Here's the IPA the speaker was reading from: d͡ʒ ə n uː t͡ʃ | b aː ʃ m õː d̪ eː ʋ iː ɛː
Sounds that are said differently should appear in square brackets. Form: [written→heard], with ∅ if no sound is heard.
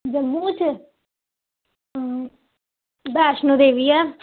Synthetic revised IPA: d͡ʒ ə [n→m] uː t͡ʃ | b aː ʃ [m→n] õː d̪ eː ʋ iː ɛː